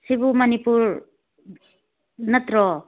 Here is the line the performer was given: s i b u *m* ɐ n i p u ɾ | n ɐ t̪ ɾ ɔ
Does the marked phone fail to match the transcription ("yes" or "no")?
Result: no